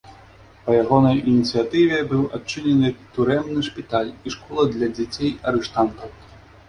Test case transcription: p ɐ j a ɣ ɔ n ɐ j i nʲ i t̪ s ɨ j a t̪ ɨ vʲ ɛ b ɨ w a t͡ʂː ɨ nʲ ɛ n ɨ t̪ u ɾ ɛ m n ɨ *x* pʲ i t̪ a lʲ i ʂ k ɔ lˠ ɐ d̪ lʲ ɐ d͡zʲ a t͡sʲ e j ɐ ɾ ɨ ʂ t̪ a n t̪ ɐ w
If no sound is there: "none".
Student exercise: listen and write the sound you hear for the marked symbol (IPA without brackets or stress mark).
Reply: ʂ